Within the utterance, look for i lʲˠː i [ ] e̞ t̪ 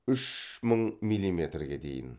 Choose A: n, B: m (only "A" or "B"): B